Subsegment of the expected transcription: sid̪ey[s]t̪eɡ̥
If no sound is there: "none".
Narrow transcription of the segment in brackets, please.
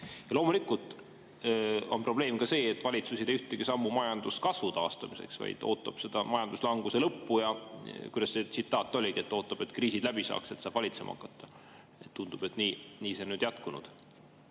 h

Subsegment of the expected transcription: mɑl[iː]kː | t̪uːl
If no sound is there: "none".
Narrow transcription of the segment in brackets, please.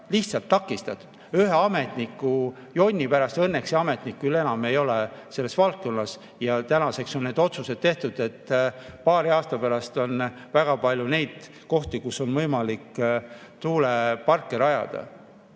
i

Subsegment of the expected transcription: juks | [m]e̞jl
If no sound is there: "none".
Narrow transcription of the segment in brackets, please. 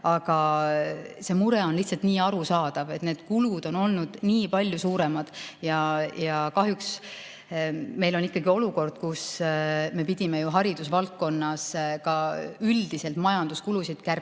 m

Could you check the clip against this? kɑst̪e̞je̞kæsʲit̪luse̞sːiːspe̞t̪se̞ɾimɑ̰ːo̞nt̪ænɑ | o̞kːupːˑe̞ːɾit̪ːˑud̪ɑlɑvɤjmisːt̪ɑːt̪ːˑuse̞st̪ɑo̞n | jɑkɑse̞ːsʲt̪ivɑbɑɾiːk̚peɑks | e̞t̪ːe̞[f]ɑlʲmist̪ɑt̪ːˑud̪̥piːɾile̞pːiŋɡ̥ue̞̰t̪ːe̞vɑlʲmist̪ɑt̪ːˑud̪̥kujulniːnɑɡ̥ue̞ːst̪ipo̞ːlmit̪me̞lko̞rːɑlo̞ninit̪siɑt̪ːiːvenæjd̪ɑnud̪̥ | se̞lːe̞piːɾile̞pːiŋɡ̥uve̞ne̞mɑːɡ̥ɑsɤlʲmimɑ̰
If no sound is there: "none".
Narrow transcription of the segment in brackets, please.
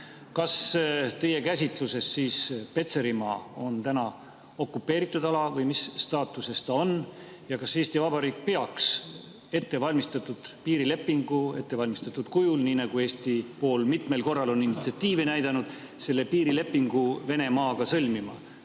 v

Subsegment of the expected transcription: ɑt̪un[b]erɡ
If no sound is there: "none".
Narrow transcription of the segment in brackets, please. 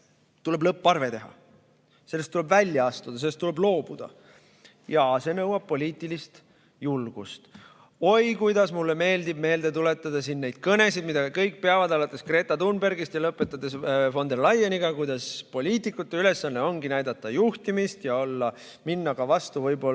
b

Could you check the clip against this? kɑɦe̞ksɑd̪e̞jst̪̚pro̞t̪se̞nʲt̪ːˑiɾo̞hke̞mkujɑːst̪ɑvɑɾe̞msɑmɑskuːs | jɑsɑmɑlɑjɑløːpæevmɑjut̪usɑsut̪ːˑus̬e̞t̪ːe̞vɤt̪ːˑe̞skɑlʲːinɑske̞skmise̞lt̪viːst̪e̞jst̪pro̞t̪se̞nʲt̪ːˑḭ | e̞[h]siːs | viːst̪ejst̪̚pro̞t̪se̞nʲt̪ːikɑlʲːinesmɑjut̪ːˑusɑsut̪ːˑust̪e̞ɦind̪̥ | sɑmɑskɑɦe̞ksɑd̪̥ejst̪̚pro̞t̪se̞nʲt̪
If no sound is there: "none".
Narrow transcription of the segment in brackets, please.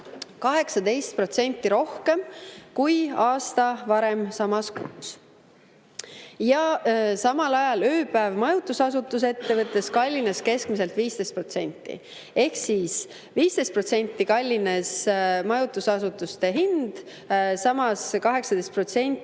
h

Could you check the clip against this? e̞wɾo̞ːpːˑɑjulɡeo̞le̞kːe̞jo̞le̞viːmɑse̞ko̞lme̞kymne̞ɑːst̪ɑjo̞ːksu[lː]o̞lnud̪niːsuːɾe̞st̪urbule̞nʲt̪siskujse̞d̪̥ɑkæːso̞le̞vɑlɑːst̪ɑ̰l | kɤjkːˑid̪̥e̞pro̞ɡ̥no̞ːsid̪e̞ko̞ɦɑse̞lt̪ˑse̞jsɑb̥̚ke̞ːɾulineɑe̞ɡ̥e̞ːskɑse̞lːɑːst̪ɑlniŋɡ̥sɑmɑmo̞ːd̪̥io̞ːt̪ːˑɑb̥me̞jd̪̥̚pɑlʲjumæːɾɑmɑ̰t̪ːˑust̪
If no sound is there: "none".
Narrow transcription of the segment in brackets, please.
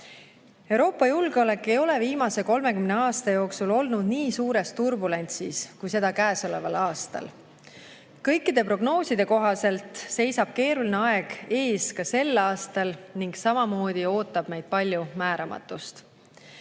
l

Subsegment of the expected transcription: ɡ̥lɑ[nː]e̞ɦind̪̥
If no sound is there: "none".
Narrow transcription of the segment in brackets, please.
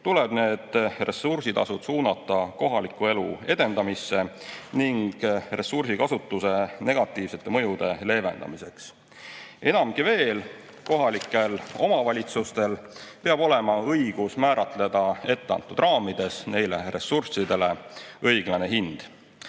n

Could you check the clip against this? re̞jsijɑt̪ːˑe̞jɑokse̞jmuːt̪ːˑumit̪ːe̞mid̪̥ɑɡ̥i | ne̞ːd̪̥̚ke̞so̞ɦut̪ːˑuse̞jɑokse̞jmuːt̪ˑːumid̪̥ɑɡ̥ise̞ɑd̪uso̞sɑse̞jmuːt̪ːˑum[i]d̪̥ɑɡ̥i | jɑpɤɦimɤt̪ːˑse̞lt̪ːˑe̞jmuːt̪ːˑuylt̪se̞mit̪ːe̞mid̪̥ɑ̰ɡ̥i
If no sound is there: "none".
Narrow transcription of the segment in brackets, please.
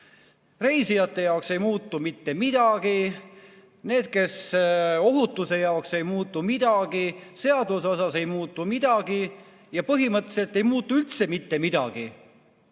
i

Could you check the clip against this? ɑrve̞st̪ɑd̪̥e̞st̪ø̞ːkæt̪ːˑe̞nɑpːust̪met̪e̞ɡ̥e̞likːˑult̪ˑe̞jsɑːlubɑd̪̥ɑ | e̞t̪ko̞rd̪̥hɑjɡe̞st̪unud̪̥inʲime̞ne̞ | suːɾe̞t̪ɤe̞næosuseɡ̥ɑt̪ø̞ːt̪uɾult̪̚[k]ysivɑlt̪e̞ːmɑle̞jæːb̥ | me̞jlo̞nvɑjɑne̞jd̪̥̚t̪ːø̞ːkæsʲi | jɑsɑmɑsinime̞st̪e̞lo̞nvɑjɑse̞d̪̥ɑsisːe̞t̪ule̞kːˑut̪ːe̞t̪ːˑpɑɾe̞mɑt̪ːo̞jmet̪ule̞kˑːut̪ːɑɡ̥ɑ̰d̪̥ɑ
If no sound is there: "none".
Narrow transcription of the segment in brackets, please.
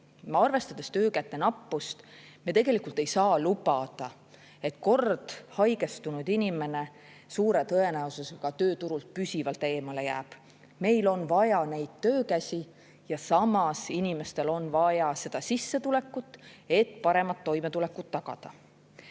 p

